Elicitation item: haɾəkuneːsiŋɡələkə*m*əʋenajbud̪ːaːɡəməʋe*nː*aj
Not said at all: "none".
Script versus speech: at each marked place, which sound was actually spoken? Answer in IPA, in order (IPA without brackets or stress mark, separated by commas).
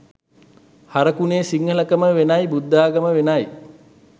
m, n